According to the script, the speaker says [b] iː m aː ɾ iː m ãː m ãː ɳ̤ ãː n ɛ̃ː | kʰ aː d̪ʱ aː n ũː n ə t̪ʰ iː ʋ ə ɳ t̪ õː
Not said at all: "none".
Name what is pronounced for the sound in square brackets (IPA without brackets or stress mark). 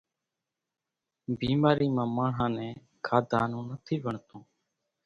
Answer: b